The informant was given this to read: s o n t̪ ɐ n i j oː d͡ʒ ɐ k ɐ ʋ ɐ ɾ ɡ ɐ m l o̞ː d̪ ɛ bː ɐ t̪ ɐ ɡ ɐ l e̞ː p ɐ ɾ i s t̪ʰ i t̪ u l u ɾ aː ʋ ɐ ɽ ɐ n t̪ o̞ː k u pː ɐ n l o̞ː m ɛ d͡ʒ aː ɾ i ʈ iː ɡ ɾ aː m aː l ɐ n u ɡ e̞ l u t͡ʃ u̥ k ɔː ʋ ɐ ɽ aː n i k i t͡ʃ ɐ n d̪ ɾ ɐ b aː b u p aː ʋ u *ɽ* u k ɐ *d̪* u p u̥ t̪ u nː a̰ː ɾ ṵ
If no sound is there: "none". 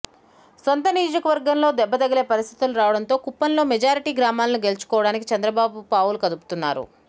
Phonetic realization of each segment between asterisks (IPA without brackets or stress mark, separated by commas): l, d̪